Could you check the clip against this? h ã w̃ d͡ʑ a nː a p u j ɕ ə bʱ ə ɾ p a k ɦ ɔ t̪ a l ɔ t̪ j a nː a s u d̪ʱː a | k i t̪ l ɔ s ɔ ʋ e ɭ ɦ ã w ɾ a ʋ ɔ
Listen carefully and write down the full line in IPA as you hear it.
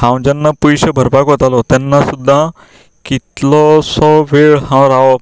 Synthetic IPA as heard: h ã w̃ d͡ʑ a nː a p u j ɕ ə bʱ ə ɾ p a k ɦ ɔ t̪ a l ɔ t̪ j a nː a s u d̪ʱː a | k i t̪ l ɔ s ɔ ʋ e ɭ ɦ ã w ɾ a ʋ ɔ